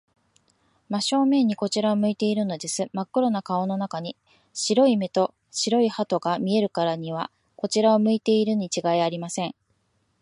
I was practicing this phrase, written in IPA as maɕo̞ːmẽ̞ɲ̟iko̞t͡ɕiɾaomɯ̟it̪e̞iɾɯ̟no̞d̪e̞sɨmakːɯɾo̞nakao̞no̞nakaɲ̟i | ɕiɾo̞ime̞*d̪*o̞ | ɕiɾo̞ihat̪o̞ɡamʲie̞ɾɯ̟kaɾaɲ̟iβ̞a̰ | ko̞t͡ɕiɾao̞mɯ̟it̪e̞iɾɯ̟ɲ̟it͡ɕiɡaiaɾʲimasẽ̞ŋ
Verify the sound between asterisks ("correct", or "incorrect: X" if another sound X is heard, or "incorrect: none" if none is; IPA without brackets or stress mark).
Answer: incorrect: t̪